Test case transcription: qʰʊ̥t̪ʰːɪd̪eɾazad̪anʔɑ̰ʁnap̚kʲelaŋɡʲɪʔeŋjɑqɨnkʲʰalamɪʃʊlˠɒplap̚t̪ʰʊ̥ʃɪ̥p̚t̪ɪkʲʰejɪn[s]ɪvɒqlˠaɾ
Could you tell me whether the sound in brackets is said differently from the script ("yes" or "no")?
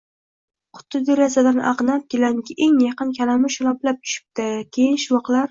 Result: yes